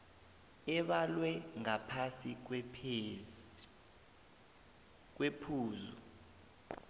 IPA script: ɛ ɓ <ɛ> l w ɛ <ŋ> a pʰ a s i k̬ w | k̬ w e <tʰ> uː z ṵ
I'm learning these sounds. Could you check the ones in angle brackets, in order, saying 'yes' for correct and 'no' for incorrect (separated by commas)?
no, yes, no